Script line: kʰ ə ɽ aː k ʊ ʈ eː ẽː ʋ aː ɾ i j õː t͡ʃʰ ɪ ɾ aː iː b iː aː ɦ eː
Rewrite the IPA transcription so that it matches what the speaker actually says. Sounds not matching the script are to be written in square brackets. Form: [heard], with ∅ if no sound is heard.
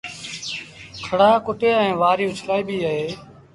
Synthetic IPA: kʰ ə ɽ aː k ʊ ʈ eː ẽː ʋ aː ɾ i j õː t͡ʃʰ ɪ [l] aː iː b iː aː ɦ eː